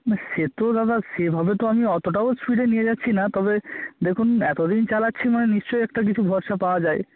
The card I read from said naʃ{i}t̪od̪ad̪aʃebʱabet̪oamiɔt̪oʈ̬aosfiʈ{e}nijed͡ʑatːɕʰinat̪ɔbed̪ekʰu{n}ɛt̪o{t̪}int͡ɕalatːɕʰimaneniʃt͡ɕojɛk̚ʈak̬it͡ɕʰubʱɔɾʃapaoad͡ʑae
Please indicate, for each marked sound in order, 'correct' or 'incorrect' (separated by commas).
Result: incorrect, correct, correct, incorrect